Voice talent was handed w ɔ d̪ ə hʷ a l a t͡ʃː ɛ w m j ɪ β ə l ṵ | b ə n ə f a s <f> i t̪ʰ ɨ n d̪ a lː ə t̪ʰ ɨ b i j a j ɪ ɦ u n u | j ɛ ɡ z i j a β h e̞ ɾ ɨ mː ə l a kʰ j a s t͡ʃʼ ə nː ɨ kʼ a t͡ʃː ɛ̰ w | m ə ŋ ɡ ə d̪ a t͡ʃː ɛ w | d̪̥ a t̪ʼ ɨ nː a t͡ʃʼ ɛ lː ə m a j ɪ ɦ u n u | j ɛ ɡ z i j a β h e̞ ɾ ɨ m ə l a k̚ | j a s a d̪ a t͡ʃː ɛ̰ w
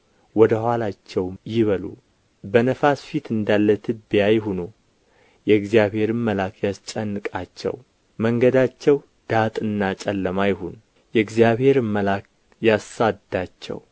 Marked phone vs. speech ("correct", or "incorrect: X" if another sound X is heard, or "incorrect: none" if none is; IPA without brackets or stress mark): correct